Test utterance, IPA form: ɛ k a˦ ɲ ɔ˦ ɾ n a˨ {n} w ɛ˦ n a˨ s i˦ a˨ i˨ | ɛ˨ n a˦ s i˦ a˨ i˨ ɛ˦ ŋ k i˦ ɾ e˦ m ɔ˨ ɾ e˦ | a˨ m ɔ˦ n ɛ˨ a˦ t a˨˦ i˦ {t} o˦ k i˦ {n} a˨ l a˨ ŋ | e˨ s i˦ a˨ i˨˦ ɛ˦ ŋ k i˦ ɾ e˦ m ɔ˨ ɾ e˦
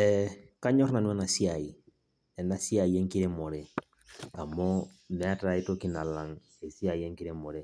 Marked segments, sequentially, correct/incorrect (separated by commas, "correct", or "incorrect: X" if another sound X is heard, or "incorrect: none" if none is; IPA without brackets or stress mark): correct, correct, correct